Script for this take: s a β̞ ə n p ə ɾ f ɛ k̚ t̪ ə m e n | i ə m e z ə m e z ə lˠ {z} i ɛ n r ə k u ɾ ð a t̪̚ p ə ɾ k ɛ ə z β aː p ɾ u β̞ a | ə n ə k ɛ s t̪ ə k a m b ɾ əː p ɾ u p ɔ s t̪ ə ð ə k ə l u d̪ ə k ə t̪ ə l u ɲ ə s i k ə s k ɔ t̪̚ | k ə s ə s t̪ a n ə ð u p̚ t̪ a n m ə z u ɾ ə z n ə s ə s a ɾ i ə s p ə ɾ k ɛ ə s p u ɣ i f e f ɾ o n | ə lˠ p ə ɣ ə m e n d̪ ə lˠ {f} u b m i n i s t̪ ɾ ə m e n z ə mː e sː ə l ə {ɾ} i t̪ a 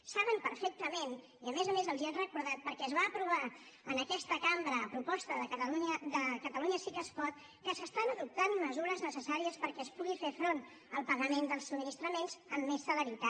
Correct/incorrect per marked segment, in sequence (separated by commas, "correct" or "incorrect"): correct, incorrect, correct